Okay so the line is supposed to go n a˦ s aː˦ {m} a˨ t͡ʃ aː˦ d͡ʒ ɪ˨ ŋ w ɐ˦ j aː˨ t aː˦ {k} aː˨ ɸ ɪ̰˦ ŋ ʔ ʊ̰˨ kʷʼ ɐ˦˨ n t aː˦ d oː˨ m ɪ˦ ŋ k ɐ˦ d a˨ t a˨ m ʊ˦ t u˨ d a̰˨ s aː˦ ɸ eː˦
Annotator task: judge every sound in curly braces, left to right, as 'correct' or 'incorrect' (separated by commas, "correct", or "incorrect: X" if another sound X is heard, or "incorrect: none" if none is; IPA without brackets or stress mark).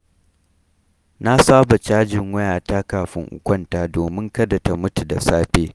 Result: incorrect: b, correct